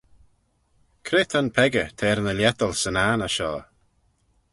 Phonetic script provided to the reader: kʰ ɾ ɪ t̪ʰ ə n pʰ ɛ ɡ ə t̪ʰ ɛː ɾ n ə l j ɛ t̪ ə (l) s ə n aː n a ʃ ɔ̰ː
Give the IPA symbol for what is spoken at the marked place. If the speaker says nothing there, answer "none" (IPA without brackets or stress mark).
l